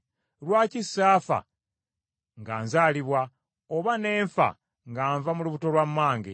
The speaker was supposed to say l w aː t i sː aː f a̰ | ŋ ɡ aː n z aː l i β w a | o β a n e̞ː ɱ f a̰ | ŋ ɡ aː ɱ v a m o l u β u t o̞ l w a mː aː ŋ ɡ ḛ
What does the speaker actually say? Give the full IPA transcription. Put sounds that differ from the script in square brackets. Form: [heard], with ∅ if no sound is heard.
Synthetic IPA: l w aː [c] i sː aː f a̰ | ŋ ɡ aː n z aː l i β w a | o β a n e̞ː ɱ f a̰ | ŋ ɡ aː ɱ v a m [u] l u β u t o̞ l w a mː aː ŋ ɡ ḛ

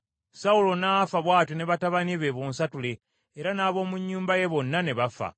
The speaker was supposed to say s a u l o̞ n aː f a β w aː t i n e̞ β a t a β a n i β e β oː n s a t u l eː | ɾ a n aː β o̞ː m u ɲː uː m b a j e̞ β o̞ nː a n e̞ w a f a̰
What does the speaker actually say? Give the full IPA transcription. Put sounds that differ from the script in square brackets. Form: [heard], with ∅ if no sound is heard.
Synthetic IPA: s a u l o̞ n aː f a β w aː t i n e̞ β a t a β a n i β e β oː n s a t u l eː | ɾ a n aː β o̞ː m u ɲː uː m b a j e̞ β o̞ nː a n e̞ [β] a f a̰

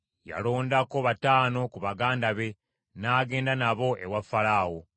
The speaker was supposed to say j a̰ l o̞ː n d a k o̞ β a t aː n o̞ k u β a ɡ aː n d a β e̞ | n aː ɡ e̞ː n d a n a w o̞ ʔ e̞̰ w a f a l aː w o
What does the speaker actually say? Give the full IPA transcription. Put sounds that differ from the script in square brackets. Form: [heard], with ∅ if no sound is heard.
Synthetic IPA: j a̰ l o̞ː n d a k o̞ β a t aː n o̞ k u β a ɡ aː n d a β e̞ | n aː ɡ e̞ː n d a n a [β] o̞ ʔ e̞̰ w a f a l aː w o

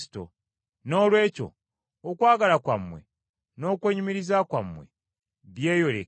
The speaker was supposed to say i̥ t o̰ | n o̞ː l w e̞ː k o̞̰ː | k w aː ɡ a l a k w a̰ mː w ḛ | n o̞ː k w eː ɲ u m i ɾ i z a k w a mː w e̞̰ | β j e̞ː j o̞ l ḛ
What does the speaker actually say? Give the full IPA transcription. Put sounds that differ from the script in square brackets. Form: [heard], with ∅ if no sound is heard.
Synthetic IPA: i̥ t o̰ | n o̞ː l w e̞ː [c] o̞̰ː | k w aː ɡ a l a k w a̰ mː w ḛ | n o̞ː k w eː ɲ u m i ɾ i z a k w a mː w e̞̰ | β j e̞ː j o̞ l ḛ

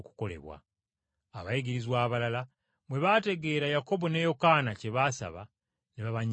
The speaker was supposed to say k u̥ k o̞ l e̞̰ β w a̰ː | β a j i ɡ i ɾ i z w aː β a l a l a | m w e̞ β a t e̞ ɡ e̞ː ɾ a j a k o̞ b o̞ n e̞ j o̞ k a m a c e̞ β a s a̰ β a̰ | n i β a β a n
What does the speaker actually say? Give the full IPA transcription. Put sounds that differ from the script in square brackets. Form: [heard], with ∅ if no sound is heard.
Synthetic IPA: k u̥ k o̞ l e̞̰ β w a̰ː | β a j i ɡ i ɾ i z w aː β a l a l a | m w e̞ β a t e̞ ɡ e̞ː ɾ a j a k o̞ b o̞ n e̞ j o̞ k a [n] a c e̞ β a s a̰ β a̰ | n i β a β a [ɲ]

